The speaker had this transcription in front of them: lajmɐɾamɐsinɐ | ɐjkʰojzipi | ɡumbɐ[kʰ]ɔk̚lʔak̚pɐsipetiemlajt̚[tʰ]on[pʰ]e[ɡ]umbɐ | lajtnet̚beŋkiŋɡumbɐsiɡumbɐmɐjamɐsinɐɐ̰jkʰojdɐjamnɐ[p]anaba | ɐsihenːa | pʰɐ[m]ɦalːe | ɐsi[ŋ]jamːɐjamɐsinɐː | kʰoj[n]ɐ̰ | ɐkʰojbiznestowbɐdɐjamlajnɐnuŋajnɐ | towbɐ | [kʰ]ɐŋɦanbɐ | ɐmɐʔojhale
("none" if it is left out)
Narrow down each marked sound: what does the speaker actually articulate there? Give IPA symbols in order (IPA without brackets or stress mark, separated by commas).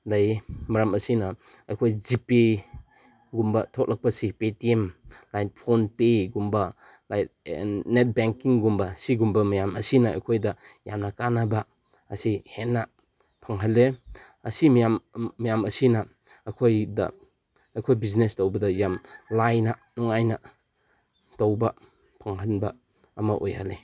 tʰ, pʰ, p, ɡ, k, ŋ, m, d, pʰ